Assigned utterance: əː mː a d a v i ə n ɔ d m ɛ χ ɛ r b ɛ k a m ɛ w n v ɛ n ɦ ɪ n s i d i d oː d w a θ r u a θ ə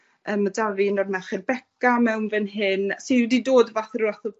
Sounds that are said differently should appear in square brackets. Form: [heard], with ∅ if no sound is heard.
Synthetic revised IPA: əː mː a d a v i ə n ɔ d m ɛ χ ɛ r b ɛ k a m ɛ w n v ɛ n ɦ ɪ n s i d i d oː d [v] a θ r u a θ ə